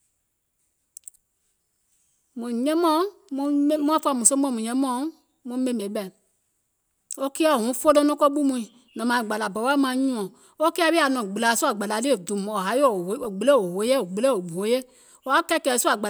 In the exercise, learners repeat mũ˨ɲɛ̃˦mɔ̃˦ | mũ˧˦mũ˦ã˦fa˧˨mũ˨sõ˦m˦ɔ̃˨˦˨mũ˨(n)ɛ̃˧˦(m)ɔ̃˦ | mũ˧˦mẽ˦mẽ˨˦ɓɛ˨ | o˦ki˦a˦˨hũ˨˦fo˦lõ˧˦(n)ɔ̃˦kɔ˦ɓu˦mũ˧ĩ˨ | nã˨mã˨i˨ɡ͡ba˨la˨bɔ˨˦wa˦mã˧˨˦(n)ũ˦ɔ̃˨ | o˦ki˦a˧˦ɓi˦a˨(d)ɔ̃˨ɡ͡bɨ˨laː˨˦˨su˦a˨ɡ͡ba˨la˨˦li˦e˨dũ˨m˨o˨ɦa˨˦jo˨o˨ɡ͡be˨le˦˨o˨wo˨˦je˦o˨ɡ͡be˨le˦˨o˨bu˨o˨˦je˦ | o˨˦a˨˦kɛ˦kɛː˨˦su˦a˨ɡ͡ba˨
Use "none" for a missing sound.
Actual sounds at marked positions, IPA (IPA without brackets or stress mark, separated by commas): ɲ, m, n, ɲ, n